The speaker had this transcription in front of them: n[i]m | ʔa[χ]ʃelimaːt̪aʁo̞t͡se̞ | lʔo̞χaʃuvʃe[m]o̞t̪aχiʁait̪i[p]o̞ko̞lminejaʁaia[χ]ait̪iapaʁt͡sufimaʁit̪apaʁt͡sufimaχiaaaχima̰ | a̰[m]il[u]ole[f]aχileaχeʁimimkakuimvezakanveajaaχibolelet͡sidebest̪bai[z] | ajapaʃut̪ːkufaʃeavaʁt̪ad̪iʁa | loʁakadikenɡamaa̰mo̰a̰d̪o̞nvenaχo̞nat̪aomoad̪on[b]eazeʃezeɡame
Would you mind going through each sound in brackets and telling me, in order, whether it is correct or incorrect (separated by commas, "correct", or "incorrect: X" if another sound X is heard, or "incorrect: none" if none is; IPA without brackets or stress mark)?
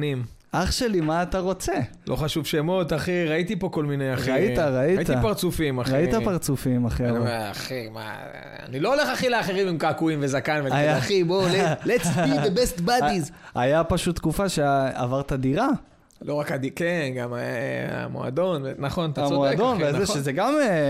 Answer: correct, correct, correct, correct, incorrect: ʁ, incorrect: n, incorrect: o, incorrect: χ, correct, incorrect: v